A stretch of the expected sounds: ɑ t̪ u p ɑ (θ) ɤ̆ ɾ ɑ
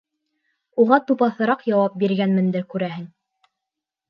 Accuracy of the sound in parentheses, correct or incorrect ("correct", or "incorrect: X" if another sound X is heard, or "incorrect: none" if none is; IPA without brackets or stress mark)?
correct